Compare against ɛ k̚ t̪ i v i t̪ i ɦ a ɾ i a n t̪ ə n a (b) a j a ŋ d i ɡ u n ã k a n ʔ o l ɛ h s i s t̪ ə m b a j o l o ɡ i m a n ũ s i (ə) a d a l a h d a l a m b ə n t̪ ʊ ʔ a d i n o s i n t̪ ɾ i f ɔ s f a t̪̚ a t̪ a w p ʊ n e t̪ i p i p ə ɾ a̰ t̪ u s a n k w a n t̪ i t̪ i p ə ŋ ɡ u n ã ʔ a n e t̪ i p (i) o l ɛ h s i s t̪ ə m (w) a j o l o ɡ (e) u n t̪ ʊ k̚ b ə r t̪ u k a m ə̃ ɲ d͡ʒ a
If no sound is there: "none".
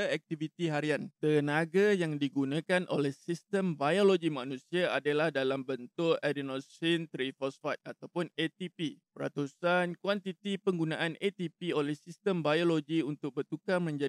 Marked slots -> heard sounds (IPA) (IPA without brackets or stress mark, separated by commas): ɡ, a, i, b, i